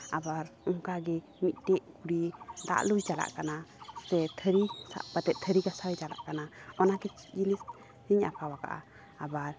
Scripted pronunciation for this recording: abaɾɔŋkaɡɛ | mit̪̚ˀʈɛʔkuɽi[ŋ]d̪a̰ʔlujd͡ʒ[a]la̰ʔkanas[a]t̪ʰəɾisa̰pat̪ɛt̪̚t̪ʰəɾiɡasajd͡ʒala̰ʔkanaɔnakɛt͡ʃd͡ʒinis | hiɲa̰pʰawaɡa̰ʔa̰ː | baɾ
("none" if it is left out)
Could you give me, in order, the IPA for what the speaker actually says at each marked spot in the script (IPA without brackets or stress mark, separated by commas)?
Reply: none, a, ɛ